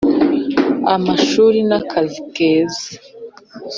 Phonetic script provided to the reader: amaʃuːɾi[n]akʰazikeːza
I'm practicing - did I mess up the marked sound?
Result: no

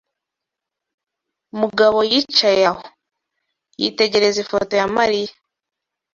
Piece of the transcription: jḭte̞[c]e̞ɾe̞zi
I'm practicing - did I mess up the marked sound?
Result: yes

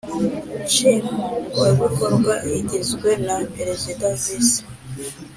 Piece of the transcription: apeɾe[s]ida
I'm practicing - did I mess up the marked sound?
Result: yes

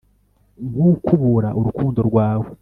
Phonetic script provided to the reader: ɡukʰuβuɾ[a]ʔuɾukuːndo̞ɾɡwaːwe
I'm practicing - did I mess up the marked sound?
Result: no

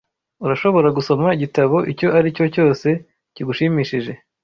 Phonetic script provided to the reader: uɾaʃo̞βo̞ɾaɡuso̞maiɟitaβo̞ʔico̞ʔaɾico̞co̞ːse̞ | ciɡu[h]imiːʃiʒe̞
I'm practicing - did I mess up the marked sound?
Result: yes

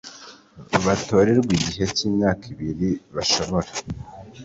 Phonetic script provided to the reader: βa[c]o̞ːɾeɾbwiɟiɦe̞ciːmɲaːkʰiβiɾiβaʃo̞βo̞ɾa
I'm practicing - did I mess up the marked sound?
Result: yes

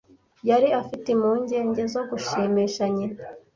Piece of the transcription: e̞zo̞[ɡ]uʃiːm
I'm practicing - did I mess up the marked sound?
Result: no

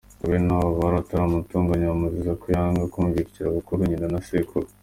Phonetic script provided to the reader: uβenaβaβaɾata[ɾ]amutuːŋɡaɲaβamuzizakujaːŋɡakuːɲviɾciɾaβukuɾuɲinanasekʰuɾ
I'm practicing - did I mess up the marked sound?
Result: no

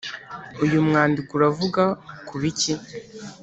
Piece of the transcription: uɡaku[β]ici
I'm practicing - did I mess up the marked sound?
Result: no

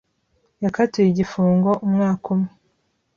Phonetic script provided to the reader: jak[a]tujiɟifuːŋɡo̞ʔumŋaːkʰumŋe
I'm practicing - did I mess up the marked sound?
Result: no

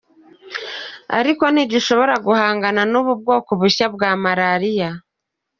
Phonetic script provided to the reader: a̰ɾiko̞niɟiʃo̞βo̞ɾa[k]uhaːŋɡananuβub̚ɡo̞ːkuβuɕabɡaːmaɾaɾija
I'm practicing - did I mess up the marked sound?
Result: yes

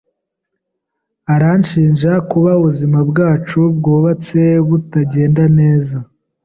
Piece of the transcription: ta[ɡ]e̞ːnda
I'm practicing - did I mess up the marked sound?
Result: yes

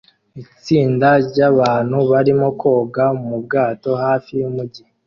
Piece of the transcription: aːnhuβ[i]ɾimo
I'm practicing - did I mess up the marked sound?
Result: yes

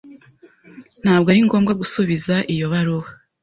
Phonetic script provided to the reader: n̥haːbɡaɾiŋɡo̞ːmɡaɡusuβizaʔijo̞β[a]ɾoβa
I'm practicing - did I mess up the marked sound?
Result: no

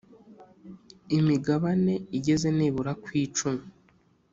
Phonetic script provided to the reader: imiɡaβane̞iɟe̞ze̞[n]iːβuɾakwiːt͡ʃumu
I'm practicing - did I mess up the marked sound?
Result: no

